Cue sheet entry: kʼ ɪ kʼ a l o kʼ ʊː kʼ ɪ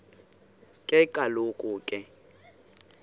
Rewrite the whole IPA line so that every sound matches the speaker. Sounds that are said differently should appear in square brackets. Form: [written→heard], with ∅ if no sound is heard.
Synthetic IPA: kʼ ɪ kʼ a l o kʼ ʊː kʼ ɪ

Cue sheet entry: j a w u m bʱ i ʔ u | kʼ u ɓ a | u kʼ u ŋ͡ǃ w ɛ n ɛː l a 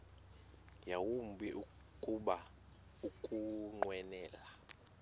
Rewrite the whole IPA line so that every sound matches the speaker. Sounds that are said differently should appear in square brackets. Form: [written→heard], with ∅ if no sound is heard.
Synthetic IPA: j a w u m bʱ i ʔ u | kʼ u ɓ a | u kʼ u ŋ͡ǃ w ɛ n ɛː l a

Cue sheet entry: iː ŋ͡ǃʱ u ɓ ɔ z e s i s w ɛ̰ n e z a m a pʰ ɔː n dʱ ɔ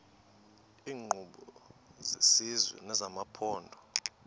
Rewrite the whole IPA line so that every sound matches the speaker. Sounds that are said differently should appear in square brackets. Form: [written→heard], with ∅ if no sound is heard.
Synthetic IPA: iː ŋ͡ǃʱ u ɓ ɔ z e s i [s→z] w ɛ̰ n [e→ɛ] z a m a pʰ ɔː n dʱ ɔ

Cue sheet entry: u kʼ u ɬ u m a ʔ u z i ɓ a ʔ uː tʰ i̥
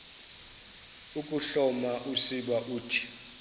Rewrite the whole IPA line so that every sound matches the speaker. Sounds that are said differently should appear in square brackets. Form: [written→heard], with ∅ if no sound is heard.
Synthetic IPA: u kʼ u ɬ [u→ɔ] m a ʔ u [z→s] i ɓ a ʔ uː tʰ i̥

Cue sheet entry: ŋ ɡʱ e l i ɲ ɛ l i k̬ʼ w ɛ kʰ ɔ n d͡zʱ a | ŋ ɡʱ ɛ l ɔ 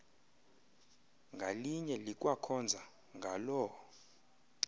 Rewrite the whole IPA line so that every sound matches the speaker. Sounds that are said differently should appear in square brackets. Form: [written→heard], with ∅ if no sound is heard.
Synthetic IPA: ŋ ɡʱ [e→a] l i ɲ ɛ l i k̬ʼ w [ɛ→a] kʰ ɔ n d͡zʱ a | ŋ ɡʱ [ɛ→a] l ɔ

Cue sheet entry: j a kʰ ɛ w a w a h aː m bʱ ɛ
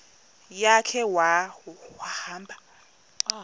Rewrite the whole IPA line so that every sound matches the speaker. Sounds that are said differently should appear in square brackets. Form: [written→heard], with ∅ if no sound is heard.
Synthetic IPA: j a kʰ ɛ w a w a h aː m bʱ [ɛ→a]

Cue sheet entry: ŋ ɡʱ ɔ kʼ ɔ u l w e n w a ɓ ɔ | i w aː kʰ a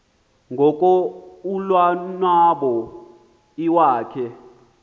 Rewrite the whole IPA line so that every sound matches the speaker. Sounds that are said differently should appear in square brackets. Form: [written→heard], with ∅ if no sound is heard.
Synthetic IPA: ŋ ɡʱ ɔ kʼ ɔ u l w [e→a] n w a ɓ ɔ | i w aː kʰ [a→ɛ]

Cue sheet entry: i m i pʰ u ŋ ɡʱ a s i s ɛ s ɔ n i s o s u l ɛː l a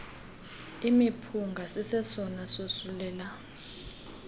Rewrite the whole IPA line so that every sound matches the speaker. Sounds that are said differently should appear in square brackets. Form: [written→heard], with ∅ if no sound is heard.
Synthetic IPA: i m i pʰ u ŋ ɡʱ a s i s ɛ s ɔ n [i→a] s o s u l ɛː l a

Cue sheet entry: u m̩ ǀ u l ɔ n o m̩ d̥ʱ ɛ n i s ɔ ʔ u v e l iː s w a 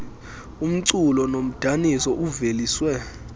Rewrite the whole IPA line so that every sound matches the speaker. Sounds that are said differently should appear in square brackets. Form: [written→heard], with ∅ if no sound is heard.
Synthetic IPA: u m̩ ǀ u l ɔ n o m̩ d̥ʱ [ɛ→a] n i s ɔ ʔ u v e l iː s w [a→ɛ]

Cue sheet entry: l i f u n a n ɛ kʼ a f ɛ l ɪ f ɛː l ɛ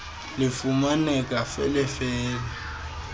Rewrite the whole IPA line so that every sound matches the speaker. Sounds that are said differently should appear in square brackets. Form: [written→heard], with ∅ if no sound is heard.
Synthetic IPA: l [i→ɪ] f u [n→m] a n ɛ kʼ a f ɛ l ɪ f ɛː l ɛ

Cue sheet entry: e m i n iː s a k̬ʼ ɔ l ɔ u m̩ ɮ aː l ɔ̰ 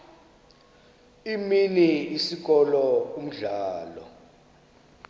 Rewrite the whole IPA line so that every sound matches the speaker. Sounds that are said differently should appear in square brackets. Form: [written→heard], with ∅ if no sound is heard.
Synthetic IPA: [e→i] m i n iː s [a→i] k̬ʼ ɔ l ɔ u m̩ ɮ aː l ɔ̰

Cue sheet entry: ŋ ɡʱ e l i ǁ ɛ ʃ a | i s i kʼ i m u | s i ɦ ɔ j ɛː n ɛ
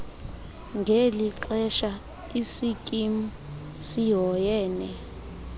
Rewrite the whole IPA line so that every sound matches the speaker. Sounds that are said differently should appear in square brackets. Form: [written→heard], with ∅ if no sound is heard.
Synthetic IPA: ŋ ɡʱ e l i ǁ ɛ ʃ a | i s i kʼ i m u | s i ɦ ɔ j ɛː n ɛ

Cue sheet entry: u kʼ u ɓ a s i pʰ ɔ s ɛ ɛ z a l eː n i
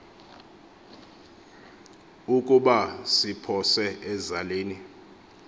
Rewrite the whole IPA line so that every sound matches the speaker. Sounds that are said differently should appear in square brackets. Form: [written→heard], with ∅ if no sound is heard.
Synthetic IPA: u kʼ u ɓ a s i pʰ ɔ s ɛ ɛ z a l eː n i

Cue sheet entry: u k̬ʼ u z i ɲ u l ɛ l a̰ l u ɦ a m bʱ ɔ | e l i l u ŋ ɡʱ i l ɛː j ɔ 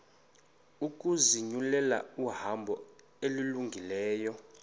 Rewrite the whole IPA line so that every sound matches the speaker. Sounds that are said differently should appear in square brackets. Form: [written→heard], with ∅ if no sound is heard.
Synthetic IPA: u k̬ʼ u z i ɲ u l ɛ l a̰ [l→∅] u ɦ a m bʱ ɔ | e l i l u ŋ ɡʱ i l ɛː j ɔ

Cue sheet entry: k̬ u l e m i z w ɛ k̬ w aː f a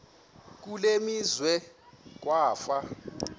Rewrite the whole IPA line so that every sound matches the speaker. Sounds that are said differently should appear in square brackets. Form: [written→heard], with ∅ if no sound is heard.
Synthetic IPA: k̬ u l e m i z w ɛ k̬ w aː f a

